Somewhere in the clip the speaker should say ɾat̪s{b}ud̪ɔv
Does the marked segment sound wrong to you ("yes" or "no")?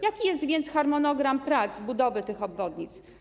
no